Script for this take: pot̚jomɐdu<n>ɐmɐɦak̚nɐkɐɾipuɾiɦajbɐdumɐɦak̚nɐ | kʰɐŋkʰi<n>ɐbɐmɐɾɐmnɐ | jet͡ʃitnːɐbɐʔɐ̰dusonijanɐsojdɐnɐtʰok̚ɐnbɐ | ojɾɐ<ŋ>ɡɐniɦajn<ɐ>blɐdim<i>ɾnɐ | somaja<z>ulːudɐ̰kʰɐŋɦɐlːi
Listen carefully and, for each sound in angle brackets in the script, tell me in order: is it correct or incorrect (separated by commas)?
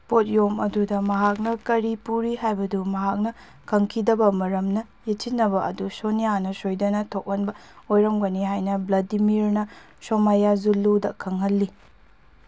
incorrect, incorrect, incorrect, correct, correct, correct